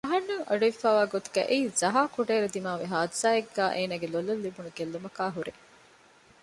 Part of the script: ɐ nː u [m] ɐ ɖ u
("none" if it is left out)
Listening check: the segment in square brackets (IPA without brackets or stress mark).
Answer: ŋ